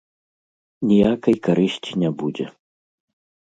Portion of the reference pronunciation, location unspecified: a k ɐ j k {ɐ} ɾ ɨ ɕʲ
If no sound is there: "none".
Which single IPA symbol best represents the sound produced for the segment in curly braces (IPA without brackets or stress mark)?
a